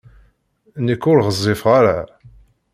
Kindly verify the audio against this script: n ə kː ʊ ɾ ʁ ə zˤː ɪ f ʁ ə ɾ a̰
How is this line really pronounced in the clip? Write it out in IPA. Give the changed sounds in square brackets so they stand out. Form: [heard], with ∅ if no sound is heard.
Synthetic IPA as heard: n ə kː ʊ ɾ ʁ ə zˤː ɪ f ʁ [a] ɾ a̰

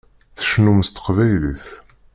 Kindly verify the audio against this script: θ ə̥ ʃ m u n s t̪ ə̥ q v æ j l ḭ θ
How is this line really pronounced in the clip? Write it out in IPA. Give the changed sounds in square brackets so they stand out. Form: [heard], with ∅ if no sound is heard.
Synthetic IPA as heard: θ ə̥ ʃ [n] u [m] s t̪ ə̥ q v æ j l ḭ θ

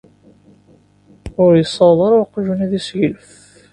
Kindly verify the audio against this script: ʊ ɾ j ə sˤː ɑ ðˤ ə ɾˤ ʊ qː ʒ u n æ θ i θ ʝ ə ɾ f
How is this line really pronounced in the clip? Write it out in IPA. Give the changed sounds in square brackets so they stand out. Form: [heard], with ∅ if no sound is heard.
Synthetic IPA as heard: ʊ ɾ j ə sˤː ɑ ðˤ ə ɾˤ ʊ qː ʒ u n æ [ð] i [s] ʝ ə [l] f

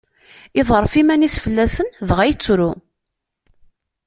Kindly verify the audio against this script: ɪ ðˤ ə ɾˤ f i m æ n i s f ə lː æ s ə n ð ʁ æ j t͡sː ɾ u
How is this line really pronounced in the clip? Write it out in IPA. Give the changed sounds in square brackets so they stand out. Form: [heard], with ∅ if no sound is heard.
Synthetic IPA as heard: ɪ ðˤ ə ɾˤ f i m æ n i s f ə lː æ s ə n ð ʁ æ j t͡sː ɾ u

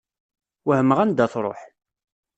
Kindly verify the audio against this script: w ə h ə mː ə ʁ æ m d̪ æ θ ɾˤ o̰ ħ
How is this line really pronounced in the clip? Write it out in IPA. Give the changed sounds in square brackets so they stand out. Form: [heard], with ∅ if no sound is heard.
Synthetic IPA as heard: w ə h ə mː ə ʁ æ [n] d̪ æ θ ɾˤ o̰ ħ

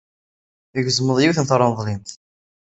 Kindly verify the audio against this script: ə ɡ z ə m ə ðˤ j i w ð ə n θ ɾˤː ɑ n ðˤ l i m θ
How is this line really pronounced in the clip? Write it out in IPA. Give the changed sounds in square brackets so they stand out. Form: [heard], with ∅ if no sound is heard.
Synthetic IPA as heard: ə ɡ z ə m ə ðˤ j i w [θ] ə n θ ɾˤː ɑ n ðˤ l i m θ

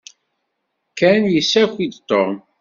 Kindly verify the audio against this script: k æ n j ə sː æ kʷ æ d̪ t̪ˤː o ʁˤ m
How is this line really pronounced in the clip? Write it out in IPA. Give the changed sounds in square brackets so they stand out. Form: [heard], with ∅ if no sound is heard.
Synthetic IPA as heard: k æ n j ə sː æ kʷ [i] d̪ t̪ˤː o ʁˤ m

